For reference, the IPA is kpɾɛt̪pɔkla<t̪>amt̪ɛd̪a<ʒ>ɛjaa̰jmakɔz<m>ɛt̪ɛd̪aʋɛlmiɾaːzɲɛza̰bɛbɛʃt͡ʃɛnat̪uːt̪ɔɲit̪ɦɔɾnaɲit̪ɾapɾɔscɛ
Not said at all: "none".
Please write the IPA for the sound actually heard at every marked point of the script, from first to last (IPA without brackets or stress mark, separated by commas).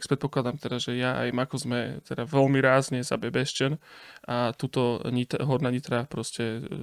d̪, ʒ, m